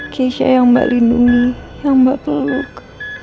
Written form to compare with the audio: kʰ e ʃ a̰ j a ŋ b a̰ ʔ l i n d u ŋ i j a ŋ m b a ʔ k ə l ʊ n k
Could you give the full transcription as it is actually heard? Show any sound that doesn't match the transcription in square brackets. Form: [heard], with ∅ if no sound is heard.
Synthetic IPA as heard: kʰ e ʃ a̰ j a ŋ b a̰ ʔ l i n d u ŋ i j a ŋ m b a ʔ [p] ə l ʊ [∅] k